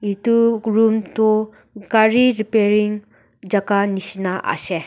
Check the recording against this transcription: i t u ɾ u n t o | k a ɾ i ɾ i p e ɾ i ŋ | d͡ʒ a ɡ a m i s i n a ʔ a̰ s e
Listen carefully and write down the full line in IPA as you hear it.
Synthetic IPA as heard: i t u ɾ u m t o | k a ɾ i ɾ i p e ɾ i ŋ | d͡ʒ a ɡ a n i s i n a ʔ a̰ s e